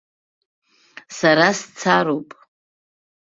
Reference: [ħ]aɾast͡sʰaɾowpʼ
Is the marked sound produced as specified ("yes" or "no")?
no